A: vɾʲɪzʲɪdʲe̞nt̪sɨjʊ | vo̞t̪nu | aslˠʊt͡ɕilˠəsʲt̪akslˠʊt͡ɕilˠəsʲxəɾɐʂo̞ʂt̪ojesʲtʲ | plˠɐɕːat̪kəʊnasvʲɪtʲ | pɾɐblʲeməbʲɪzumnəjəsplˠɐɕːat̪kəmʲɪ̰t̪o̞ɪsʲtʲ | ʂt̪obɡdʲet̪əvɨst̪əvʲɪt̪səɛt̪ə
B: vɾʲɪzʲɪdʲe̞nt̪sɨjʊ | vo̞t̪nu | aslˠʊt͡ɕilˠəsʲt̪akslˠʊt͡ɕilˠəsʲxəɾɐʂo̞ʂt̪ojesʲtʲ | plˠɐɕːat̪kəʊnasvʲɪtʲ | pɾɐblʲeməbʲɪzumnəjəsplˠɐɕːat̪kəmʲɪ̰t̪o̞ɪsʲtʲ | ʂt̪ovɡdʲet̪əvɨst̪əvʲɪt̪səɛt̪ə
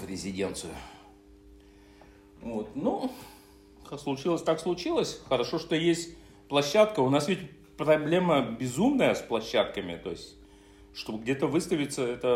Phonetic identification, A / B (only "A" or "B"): A